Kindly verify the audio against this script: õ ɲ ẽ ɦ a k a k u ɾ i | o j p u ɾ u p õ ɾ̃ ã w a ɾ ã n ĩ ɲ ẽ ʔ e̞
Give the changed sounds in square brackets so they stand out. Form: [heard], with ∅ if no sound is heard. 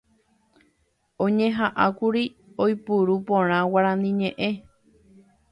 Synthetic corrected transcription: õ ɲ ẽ ɦ a [ʔ] a k u ɾ i | o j p u ɾ u p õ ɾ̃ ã w a ɾ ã n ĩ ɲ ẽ ʔ e̞